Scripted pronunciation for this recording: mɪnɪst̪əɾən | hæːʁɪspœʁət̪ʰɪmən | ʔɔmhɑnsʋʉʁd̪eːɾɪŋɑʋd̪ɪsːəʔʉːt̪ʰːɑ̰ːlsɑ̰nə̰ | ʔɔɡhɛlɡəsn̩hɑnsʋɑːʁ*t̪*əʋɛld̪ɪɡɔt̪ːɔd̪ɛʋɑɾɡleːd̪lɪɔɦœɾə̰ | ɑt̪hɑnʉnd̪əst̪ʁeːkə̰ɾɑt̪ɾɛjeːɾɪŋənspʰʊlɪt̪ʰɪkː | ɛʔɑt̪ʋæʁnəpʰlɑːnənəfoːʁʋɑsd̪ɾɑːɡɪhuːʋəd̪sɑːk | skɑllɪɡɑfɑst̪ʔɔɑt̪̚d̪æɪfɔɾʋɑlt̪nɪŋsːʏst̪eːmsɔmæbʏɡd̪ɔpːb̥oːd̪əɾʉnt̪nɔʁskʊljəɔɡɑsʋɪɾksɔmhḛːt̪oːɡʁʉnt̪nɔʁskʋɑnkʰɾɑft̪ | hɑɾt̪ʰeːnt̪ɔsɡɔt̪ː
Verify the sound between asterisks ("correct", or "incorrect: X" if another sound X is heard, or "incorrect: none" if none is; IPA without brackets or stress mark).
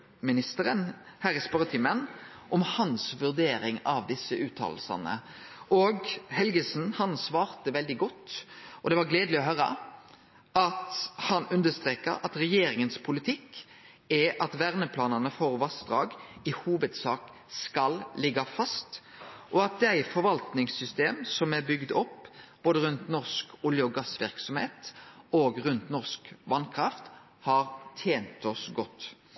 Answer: correct